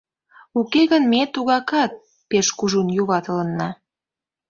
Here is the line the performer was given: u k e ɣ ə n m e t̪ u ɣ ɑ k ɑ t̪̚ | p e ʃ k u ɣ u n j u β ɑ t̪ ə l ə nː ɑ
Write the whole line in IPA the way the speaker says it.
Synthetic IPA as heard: u k e ɣ ə n m e t̪ u ɣ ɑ k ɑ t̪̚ | p e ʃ k u ʒ u n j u β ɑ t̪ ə l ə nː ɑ